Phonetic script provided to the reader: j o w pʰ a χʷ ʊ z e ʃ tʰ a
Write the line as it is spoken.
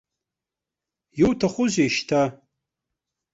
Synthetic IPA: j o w tʰ a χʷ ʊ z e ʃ tʰ a